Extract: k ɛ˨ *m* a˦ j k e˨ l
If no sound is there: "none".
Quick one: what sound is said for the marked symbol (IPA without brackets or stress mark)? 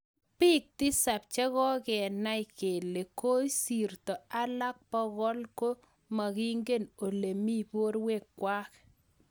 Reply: n